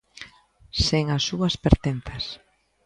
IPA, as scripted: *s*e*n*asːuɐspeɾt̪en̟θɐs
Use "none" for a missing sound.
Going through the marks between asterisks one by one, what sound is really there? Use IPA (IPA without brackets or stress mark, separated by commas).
s, ŋ